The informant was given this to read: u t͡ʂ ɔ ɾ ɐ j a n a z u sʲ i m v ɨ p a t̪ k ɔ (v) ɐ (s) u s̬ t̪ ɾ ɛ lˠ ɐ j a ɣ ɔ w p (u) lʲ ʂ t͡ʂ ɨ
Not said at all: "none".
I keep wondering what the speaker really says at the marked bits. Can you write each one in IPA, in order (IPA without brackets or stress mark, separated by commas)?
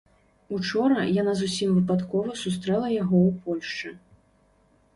v, s, ɔ